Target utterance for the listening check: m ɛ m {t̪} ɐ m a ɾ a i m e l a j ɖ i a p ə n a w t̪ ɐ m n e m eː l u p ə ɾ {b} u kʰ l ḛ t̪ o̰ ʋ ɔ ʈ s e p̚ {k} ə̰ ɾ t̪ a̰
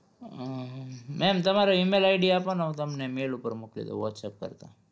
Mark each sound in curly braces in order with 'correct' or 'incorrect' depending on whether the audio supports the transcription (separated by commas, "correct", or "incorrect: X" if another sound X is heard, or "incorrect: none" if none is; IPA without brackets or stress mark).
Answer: correct, incorrect: m, correct